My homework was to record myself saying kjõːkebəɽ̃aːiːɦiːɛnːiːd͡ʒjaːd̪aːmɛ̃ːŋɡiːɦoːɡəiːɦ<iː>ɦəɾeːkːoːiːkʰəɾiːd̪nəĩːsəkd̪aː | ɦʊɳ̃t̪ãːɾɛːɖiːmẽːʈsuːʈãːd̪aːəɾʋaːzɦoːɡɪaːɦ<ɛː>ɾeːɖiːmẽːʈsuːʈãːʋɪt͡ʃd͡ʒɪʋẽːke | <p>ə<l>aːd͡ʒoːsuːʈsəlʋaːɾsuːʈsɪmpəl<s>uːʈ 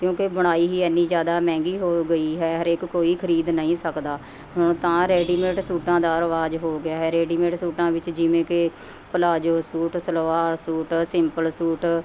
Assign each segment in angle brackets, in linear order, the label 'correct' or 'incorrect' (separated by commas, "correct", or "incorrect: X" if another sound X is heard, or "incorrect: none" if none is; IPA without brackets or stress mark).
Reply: incorrect: ɛː, correct, correct, correct, correct